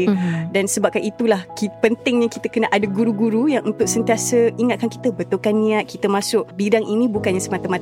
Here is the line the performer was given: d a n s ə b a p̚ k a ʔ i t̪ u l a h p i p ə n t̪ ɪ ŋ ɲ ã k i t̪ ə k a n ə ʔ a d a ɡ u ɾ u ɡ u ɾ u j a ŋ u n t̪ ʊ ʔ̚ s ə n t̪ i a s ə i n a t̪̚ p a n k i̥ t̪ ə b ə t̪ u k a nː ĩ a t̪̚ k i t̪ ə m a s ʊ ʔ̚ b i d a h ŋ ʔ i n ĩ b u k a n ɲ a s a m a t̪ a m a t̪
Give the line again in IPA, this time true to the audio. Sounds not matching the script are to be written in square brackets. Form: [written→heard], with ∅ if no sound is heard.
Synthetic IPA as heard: d a n s ə b a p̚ k a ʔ i t̪ u l a h [p→k] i p ə n t̪ ɪ ŋ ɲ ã k i t̪ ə k [a→ə] n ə ʔ a d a ɡ u ɾ u ɡ u ɾ u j a ŋ u n t̪ ʊ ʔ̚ s ə n t̪ i a s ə i [n→ŋ] a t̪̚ [p→k] a n k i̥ t̪ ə b ə t̪ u k a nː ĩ a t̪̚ k i t̪ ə m a s ʊ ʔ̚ b i d a [h→∅] ŋ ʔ i n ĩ b u k a n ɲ a s [a→ə] m a t̪ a m a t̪